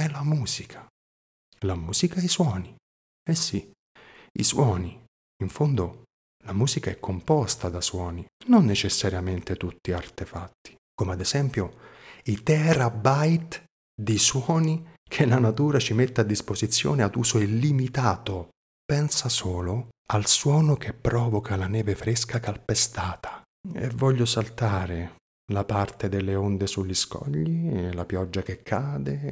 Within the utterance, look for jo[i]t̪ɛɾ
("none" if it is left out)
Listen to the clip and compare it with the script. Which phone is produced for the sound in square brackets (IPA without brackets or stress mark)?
i